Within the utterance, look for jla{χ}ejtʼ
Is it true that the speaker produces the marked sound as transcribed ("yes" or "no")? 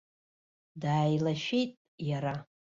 no